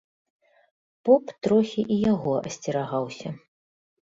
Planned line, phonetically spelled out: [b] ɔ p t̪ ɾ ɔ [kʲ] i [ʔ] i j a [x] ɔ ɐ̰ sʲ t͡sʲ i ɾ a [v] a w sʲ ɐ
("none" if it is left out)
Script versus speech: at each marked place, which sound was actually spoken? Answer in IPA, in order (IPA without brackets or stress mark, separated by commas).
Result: p, xʲ, ʔ, ɣ, ɣ